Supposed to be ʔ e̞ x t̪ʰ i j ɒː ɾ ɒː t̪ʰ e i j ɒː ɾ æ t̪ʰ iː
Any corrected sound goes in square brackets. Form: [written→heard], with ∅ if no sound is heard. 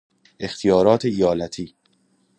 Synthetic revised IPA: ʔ e̞ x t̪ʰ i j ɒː ɾ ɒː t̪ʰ e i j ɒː [ɾ→l] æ t̪ʰ iː